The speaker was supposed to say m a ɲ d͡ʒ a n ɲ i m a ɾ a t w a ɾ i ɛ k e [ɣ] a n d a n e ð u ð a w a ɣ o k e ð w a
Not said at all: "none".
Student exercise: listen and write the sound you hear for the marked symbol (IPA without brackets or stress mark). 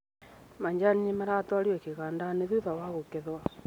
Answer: ɣ